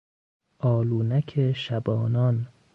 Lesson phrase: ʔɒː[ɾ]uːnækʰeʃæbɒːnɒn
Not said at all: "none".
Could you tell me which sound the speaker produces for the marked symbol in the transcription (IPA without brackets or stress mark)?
l